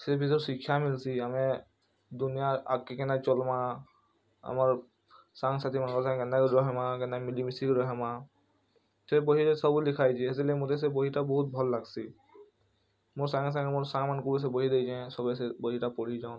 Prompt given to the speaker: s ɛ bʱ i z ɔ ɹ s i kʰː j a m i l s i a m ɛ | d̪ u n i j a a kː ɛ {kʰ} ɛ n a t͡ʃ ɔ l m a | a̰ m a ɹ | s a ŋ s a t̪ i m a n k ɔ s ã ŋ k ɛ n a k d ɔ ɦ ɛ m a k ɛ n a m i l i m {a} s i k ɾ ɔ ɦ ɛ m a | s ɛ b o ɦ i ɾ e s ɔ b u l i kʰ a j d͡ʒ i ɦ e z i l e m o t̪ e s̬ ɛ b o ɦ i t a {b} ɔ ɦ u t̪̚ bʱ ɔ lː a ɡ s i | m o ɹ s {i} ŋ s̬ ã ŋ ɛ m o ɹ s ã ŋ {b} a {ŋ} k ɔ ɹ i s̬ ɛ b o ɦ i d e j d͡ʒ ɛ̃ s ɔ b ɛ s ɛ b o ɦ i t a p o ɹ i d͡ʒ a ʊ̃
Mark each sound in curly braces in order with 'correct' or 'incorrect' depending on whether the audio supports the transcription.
incorrect, incorrect, correct, incorrect, incorrect, incorrect

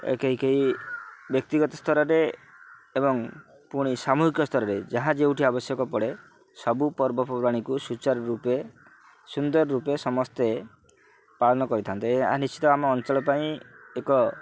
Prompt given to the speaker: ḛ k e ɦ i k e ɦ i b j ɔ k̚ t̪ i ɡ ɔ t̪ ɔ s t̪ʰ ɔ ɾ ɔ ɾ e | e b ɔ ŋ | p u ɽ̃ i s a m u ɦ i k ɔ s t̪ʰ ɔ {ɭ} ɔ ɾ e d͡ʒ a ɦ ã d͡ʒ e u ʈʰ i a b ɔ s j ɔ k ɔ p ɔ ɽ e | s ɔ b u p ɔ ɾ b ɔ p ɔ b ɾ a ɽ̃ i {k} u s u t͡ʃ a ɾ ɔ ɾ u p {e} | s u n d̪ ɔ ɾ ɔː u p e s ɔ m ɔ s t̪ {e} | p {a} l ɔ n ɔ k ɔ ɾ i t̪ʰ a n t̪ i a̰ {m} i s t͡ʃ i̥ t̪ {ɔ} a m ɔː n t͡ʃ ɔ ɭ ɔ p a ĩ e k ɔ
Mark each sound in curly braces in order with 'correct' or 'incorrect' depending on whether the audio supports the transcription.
incorrect, correct, correct, correct, correct, incorrect, correct

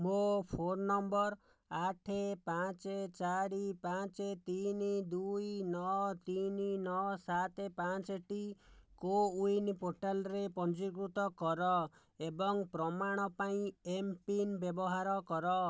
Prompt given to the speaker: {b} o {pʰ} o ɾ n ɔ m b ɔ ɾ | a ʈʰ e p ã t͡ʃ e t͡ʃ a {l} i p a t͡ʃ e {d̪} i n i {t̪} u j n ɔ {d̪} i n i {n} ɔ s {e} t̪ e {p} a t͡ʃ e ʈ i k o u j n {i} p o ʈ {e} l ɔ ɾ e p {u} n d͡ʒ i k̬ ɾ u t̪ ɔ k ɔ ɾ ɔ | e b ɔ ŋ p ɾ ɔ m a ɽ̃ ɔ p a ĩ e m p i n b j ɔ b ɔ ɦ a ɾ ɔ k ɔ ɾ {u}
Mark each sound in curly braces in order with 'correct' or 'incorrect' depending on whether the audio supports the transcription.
incorrect, correct, incorrect, incorrect, incorrect, incorrect, correct, incorrect, correct, correct, incorrect, incorrect, incorrect

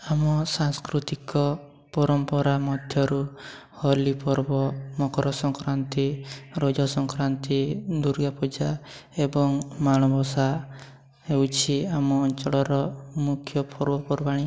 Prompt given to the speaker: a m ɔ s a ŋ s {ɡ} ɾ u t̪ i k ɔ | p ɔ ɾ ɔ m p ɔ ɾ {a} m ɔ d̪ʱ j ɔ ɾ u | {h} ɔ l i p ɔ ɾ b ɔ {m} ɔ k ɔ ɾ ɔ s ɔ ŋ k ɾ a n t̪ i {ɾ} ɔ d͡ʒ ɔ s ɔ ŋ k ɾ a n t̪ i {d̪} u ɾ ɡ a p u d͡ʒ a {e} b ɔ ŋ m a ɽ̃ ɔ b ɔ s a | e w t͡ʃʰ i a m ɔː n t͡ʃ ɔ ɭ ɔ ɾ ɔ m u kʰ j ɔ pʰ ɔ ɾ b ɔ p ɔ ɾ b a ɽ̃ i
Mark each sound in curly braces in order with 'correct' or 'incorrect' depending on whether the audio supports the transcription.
incorrect, correct, correct, correct, correct, correct, correct

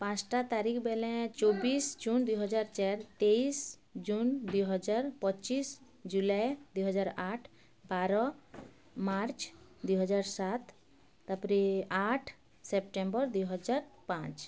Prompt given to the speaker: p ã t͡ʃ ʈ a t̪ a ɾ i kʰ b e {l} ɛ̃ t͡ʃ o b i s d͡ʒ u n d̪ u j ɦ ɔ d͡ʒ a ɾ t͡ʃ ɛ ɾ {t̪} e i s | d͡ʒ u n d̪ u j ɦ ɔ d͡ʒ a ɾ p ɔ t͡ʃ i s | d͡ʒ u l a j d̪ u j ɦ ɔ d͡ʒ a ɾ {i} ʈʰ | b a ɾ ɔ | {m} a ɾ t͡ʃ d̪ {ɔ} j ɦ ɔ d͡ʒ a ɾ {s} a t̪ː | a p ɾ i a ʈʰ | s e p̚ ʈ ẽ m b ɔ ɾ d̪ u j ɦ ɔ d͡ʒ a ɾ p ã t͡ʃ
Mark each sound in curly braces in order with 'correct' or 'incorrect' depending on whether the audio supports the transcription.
correct, correct, incorrect, correct, incorrect, correct

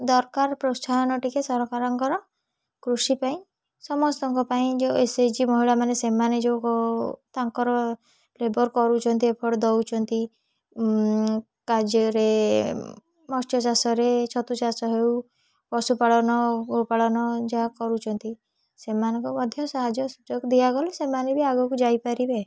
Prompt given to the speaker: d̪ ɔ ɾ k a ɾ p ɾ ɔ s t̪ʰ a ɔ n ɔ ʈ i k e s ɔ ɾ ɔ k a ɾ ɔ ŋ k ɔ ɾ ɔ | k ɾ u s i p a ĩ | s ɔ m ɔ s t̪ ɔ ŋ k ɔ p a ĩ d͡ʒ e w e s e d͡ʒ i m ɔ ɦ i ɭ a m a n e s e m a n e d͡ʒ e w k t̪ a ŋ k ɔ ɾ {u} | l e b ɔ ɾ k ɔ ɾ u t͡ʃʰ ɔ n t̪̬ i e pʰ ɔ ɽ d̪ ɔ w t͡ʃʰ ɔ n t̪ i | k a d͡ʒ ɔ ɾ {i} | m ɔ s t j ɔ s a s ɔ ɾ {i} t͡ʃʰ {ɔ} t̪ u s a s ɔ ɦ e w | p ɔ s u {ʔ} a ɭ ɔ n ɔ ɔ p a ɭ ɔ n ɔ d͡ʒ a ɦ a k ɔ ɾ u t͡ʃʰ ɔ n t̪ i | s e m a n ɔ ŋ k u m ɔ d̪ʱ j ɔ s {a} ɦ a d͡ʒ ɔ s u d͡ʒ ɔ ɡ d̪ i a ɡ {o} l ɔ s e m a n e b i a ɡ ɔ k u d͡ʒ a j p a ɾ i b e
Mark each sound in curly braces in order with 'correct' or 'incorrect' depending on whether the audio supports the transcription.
incorrect, incorrect, incorrect, correct, incorrect, correct, incorrect

